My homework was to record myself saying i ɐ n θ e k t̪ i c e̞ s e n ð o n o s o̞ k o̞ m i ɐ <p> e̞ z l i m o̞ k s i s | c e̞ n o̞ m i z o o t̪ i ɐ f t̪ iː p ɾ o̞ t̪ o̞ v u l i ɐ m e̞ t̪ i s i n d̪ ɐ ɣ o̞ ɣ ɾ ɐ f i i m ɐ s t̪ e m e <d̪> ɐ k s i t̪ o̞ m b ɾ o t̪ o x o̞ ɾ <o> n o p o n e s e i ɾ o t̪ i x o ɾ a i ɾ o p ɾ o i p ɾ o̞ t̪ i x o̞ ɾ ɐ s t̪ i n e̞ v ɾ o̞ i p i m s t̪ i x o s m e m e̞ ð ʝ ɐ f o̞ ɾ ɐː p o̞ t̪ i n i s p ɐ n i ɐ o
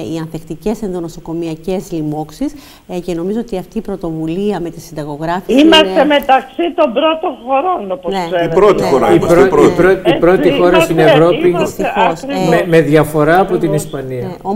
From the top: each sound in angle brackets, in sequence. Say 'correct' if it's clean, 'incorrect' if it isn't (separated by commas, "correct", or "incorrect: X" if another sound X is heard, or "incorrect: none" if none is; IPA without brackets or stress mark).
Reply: incorrect: c, incorrect: t̪, correct